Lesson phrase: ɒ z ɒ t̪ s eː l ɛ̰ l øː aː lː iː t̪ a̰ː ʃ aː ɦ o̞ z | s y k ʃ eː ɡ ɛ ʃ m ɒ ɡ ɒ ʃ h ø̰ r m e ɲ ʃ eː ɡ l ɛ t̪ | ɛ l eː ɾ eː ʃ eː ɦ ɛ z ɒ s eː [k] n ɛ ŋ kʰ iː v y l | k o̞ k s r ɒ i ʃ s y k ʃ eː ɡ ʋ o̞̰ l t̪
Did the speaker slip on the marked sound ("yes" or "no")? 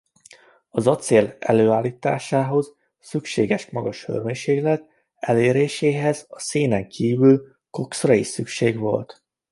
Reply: yes